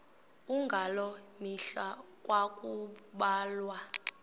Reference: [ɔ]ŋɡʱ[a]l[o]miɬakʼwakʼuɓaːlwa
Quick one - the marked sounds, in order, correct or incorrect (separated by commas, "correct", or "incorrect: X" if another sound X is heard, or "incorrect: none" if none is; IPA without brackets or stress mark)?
incorrect: u, correct, incorrect: ɔ